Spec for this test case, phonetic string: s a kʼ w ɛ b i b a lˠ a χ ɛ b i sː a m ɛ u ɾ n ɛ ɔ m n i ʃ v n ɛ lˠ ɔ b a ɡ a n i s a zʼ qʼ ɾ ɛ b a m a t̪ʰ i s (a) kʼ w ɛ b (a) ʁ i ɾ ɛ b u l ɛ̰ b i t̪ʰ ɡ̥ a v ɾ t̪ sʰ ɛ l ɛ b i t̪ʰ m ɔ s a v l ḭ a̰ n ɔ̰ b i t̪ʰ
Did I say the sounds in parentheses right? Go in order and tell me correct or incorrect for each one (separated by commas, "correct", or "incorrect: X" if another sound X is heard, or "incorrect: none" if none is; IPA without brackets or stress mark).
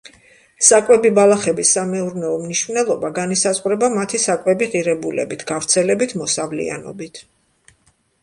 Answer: correct, incorrect: i